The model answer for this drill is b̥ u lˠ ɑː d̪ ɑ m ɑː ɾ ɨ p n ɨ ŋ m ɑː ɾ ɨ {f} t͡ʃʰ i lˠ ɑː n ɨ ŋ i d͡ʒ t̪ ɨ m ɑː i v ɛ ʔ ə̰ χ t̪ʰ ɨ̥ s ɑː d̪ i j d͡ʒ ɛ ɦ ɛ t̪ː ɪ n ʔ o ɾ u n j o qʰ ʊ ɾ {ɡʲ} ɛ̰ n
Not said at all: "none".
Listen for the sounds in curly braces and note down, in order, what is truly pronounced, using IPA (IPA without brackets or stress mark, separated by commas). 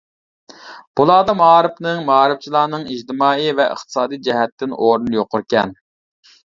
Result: f, kʲ